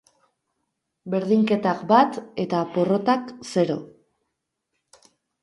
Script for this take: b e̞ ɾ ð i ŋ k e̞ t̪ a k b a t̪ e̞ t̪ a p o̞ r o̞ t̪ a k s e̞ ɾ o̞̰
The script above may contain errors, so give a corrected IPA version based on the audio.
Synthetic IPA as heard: b e̞ ɾ ð i ŋ k e̞ t̪ a k b a t̪ e̞ t̪ a p o̞ r o̞ t̪ a k s e̞ ɾ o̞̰